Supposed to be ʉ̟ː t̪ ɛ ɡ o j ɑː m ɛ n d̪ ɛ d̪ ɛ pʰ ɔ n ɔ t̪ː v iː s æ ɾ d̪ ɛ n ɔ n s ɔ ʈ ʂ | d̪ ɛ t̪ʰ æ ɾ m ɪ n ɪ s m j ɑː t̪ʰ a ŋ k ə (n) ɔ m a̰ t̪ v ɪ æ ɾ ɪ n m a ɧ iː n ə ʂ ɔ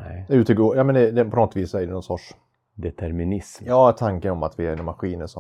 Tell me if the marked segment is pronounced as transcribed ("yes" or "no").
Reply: yes